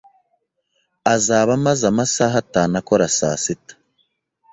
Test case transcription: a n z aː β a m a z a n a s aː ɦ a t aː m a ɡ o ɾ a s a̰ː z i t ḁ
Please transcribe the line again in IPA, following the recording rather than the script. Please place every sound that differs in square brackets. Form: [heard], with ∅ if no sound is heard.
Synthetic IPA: a [∅] z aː β a m a z a [m] a s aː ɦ a t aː [n] a [k] o ɾ a s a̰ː [s] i t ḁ